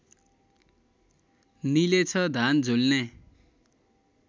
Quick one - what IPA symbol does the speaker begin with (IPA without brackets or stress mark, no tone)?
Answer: n